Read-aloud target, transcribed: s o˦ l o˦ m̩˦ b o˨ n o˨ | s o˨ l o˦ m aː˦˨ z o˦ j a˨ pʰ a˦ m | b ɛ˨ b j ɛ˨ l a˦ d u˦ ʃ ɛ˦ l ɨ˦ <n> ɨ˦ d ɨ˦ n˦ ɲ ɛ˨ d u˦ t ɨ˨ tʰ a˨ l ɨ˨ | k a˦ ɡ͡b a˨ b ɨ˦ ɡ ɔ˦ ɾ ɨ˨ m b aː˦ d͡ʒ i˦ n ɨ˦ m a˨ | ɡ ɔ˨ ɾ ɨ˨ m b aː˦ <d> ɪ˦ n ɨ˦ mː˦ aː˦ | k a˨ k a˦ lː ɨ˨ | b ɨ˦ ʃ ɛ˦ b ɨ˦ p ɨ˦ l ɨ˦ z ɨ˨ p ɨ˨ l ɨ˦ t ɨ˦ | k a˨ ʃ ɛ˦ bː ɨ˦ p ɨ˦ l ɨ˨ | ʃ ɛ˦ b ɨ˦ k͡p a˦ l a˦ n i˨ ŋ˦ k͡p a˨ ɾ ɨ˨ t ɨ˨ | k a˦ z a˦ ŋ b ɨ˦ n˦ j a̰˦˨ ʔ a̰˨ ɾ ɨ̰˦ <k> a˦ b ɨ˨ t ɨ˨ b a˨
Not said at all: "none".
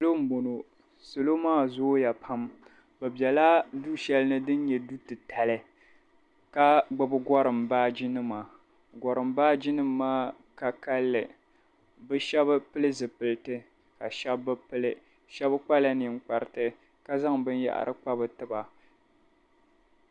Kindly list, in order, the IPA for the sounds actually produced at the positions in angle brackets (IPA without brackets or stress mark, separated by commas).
n, d͡ʒ, k͡p